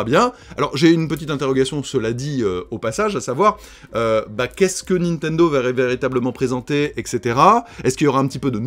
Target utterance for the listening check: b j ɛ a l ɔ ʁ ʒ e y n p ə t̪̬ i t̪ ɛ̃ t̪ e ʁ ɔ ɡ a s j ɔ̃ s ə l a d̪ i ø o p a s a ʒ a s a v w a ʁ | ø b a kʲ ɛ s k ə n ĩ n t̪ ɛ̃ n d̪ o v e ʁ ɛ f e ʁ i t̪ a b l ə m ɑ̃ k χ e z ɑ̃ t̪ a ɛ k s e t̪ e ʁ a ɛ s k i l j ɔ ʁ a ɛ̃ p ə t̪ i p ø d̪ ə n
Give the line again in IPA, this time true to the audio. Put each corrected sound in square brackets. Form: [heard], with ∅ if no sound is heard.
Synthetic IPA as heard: b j [ɛ̃] a l ɔ ʁ ʒ e y n p ə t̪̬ i t̪ ɛ̃ t̪ e ʁ ɔ ɡ a s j ɔ̃ s ə l a d̪ i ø o p a s a ʒ a s a v w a ʁ | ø b a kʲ ɛ s k ə n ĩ n t̪ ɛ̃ n d̪ o v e ʁ ɛ [v] e ʁ i t̪ a b l ə m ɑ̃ [p] χ e z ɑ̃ t̪ [e] ɛ k s e t̪ e ʁ a ɛ s k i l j ɔ ʁ a ɛ̃ p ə t̪ i p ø d̪ ə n